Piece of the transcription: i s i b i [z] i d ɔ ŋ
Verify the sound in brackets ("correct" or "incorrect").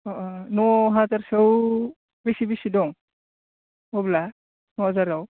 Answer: incorrect